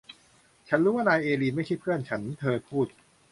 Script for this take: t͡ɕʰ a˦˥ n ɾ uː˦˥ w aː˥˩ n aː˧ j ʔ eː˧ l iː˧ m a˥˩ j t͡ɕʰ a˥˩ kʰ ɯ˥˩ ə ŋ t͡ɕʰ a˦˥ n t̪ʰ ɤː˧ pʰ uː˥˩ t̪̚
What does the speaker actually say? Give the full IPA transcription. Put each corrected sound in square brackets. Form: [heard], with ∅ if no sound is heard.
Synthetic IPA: t͡ɕʰ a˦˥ n ɾ uː˦˥ w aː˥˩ n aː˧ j ʔ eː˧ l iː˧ m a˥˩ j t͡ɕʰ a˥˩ [pʰ] ɯ˥˩ ə [n] t͡ɕʰ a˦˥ n t̪ʰ ɤː˧ pʰ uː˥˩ t̪̚